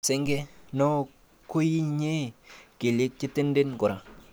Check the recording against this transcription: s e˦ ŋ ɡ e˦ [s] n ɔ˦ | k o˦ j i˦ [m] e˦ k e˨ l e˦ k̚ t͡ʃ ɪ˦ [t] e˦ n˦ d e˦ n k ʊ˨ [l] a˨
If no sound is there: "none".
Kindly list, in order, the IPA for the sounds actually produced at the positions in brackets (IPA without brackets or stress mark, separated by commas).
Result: none, ɲ, t, ɾ